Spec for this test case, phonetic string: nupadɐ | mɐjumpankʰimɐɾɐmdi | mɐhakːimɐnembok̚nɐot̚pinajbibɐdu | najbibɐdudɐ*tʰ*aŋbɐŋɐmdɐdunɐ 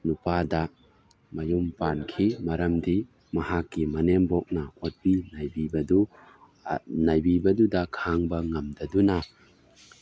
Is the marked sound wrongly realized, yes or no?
yes